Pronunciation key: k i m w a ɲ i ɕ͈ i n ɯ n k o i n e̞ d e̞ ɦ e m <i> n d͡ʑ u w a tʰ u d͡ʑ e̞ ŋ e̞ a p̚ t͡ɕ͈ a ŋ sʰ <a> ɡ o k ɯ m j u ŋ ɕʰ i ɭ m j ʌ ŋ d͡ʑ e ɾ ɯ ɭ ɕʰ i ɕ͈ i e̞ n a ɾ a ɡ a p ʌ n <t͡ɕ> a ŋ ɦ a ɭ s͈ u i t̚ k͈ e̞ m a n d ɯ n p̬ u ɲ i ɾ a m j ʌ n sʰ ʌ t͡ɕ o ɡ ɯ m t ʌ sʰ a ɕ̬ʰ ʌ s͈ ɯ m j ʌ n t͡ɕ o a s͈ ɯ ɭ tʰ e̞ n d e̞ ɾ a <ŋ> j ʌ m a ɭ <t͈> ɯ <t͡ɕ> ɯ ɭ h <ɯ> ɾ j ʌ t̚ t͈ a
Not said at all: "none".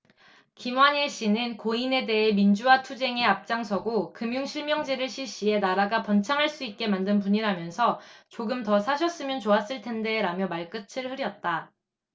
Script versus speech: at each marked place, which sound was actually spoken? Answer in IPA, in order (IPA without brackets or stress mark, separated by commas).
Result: i, ʌ, t͡ɕʰ, m, k͈, t͡ɕʰ, ɯ